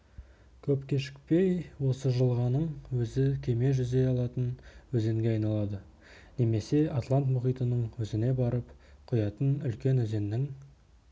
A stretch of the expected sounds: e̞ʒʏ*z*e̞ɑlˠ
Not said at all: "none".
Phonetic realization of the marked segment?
z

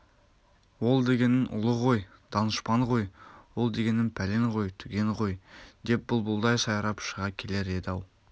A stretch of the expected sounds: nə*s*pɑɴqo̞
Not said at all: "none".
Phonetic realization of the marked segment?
ʃ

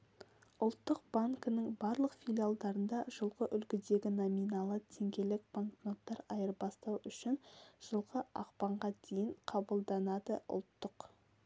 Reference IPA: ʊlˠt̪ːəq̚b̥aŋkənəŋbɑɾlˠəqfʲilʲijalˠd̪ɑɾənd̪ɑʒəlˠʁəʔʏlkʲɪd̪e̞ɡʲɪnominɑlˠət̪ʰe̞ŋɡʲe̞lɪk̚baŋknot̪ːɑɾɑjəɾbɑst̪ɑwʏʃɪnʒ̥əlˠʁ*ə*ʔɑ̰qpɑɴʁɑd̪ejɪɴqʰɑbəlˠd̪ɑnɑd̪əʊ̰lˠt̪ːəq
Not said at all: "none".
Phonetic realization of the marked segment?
ə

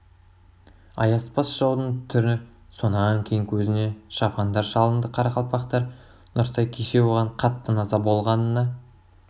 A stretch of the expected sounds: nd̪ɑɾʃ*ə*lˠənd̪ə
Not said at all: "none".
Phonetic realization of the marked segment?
ɑ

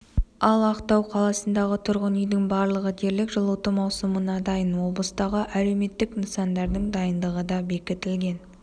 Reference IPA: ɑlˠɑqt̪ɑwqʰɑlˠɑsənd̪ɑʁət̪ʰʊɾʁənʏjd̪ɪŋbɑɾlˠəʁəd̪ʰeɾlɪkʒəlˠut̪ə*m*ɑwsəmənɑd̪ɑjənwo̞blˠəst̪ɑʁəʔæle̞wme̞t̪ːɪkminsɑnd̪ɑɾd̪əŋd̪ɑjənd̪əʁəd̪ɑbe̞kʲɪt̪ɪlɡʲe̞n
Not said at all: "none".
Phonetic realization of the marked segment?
m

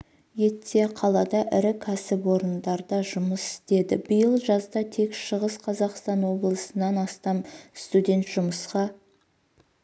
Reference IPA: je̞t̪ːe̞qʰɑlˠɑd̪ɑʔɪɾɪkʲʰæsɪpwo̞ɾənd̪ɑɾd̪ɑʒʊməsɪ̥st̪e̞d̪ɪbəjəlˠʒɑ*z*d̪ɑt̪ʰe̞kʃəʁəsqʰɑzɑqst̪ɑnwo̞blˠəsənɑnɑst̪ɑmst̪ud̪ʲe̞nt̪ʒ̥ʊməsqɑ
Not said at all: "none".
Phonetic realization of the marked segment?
z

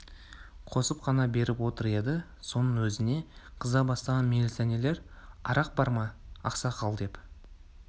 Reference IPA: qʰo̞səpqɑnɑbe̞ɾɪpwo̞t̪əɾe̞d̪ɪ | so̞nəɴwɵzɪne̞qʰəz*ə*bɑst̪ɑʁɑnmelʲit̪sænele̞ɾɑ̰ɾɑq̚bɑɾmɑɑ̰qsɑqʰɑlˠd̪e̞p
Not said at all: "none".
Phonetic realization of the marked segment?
ɑ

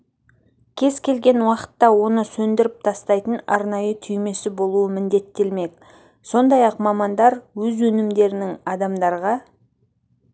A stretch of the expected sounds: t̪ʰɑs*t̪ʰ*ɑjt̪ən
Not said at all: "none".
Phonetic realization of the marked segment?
t̪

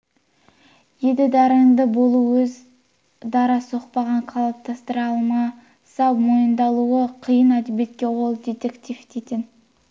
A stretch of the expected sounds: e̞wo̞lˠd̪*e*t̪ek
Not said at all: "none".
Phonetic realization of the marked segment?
e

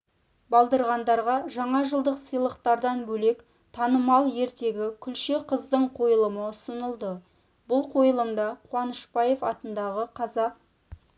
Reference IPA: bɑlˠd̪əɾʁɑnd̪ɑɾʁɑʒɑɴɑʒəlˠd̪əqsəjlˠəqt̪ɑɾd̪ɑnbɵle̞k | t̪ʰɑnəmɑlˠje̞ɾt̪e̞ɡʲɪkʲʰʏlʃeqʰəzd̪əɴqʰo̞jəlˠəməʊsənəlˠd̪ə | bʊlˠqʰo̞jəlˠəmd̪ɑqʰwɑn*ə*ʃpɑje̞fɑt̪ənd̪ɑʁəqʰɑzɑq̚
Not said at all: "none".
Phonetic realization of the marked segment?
ə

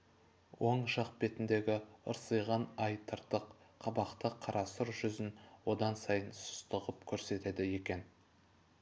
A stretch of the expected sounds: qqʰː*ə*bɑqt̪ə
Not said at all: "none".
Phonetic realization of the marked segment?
ɑ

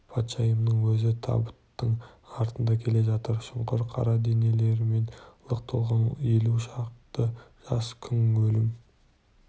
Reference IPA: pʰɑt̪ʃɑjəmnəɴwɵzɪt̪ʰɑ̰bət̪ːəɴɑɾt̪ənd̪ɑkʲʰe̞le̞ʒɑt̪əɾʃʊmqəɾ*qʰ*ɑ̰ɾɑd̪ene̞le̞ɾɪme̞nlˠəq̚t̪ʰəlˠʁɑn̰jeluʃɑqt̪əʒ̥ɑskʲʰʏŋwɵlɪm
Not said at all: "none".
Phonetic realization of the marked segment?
qʰ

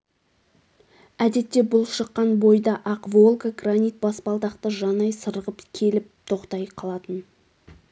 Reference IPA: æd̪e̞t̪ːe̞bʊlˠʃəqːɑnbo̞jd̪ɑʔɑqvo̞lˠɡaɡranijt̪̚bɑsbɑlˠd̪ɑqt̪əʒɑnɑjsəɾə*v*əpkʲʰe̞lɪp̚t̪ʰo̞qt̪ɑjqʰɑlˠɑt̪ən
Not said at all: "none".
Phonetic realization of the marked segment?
ʁ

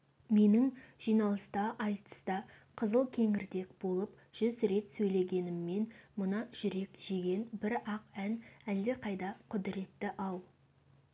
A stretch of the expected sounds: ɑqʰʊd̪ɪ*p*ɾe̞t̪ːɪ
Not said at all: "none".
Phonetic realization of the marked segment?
none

